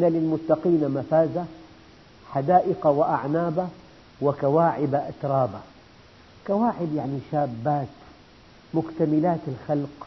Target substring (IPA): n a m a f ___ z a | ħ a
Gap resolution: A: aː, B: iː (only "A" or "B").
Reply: A